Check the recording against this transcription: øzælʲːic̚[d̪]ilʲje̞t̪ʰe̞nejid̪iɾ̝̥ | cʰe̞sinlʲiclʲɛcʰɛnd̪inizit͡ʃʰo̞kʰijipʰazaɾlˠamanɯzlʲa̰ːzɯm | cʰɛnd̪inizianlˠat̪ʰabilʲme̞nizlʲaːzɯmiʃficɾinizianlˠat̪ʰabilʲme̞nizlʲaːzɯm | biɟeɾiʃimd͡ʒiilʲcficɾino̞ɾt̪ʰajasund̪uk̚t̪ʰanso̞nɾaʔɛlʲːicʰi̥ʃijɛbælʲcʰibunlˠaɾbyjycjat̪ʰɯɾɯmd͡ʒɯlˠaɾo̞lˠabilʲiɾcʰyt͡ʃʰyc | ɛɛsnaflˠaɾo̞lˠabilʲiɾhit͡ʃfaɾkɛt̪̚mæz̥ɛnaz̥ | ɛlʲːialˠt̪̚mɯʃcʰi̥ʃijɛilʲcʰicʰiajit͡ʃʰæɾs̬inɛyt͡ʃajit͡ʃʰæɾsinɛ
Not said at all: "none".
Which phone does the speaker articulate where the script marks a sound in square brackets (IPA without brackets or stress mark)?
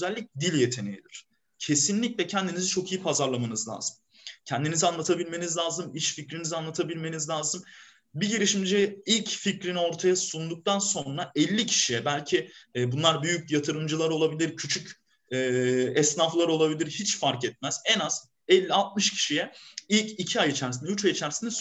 d̪